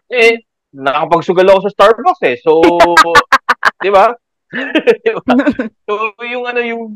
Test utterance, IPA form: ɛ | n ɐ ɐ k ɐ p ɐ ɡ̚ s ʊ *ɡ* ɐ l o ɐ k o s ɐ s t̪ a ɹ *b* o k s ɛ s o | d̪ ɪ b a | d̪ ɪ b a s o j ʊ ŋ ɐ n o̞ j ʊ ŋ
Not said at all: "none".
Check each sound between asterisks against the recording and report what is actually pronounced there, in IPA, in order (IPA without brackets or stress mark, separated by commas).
ɡ, b